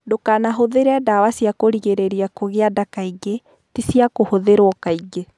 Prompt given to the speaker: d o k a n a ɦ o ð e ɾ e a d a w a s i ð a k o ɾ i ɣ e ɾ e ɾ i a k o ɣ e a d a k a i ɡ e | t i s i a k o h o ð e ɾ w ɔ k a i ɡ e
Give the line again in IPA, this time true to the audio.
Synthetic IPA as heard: d o k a n a ɦ o ð e ɾ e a d a w a s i a k o ɾ i ɣ e ɾ e ɾ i a k o ɣ e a d a k a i ɡ e | t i s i a k o h o ð e ɾ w ɔ k a i ɡ e